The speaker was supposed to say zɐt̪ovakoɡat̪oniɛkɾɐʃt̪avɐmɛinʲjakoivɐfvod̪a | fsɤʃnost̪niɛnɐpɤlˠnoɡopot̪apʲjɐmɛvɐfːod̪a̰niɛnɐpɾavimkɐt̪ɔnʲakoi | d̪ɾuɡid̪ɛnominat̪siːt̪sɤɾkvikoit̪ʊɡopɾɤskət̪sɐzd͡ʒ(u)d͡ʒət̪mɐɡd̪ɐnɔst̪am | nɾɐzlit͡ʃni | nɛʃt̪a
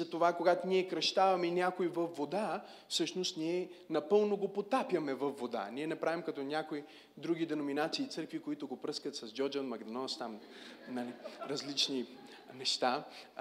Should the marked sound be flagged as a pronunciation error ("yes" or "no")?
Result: yes